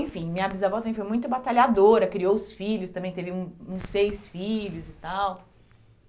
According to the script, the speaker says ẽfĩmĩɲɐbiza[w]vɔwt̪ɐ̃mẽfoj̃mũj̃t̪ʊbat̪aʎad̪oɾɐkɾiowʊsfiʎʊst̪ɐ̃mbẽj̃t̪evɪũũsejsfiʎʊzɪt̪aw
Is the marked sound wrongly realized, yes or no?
yes